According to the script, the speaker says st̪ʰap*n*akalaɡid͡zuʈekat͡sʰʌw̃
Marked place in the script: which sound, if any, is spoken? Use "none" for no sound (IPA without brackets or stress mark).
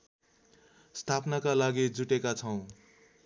n